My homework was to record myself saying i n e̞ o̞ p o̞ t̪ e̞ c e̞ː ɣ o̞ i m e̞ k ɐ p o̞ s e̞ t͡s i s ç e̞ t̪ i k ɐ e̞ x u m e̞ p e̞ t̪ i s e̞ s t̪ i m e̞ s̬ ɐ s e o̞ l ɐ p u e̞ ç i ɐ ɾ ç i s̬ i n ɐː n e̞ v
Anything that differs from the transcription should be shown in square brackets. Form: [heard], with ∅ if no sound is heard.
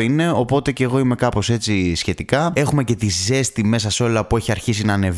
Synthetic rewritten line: i n e̞ o̞ p o̞ t̪ e̞ c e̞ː ɣ o̞ i m e̞ k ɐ p o̞ s e̞ t͡s i s ç e̞ t̪ i k ɐ e̞ x u m e̞ [c] e̞ t̪ i [z] e̞ s t̪ i m e̞ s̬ ɐ s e o̞ l ɐ p u e̞ ç i ɐ ɾ ç i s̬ i n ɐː n e̞ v